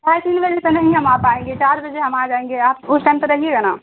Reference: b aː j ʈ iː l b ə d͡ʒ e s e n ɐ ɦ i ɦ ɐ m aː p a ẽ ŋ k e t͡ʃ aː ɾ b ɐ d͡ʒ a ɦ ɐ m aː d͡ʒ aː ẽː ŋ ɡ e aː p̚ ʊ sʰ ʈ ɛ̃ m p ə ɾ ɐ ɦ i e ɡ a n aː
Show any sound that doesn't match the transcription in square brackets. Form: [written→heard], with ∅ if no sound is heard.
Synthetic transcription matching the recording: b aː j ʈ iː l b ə d͡ʒ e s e n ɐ ɦ [i→ĩ] ɦ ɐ m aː p a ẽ ŋ [k→ɡ] e t͡ʃ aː ɾ b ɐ d͡ʒ [a→e] ɦ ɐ m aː d͡ʒ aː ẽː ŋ ɡ e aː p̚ ʊ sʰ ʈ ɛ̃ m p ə ɾ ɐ ɦ i e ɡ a n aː

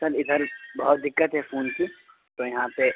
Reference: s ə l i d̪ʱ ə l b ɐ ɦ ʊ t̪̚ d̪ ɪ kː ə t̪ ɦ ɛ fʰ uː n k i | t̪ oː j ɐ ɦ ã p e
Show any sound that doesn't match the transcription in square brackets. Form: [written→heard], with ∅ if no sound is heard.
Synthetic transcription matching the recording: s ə l [i→ɪ] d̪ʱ ə [l→ɾ] b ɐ ɦ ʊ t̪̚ d̪ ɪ kː ə t̪ ɦ ɛ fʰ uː n k i | t̪ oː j ɐ ɦ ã p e

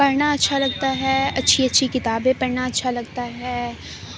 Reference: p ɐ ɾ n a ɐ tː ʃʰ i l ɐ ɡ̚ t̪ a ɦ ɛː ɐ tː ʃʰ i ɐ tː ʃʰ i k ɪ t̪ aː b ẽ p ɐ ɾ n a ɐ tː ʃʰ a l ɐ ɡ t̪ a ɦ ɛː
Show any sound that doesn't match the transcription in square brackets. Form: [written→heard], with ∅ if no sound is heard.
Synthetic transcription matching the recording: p ɐ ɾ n a ɐ tː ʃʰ [i→a] l ɐ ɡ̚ t̪ a ɦ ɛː ɐ tː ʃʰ i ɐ tː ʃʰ i k ɪ t̪ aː b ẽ p ɐ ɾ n a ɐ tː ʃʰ a l ɐ ɡ t̪ a ɦ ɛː

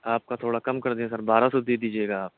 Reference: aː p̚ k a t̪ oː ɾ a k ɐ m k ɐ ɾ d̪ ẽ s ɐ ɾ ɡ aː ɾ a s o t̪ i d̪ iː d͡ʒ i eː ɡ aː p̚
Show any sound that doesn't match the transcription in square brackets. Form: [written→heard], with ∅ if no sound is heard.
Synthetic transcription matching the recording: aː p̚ k a [t̪→t̪ʰ] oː [ɾ→ɽ] a k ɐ m k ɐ ɾ d̪ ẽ s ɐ ɾ [ɡ→b] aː ɾ a s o [t̪→d̪] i d̪ iː d͡ʒ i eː ɡ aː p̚

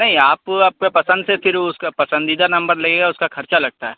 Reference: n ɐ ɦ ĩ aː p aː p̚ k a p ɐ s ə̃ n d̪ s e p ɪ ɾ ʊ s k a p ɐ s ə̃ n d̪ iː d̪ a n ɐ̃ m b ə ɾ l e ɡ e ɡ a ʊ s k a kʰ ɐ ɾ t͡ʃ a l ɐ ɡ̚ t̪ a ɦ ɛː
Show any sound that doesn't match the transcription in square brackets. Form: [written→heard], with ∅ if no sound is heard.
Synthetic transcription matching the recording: n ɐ ɦ ĩ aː p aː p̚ k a p ɐ s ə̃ n d̪ s e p ɪ ɾ ʊ s k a p ɐ s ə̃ n d̪ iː d̪ a n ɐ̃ m b ə ɾ l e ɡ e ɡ a ʊ s k a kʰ ɐ ɾ t͡ʃ a l ɐ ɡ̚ t̪ a ɦ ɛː

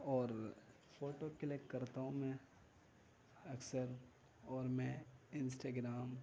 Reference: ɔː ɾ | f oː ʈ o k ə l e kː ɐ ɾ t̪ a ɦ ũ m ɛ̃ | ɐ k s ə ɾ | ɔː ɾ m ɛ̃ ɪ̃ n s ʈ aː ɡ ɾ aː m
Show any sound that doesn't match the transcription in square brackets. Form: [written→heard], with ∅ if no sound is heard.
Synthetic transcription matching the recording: ɔː ɾ | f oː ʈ o k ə l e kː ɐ ɾ t̪ a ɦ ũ m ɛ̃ | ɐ k s ə ɾ | ɔː ɾ m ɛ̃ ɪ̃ n s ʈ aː ɡ ɾ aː m

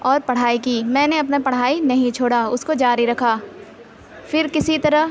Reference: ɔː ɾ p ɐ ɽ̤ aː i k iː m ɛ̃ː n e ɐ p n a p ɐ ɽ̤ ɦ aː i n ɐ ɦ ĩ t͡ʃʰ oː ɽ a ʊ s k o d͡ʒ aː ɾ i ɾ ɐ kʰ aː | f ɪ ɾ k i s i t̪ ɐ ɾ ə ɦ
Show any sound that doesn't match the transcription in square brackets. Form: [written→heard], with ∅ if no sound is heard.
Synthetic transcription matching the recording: ɔː ɾ p ɐ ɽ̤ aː i k iː m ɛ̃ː n e ɐ p n a p ɐ ɽ̤ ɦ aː i n ɐ ɦ ĩ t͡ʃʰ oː ɽ a ʊ s k o d͡ʒ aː ɾ i ɾ ɐ kʰ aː | f ɪ ɾ k [i→ɪ] s i t̪ ɐ ɾ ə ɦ

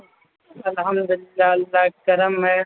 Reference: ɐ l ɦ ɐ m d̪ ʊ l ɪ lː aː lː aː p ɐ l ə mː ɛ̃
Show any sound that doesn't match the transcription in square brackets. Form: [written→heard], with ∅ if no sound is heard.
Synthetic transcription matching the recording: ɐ l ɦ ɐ m d̪ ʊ l ɪ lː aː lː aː [p→k] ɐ [l→ɾ] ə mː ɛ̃

